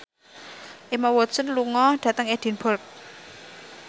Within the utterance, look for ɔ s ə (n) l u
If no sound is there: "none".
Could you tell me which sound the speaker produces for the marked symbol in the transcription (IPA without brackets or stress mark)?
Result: n